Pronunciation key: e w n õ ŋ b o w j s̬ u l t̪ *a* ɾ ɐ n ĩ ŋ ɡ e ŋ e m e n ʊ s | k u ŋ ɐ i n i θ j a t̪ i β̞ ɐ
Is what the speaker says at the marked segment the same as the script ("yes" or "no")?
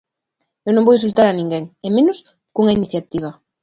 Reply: yes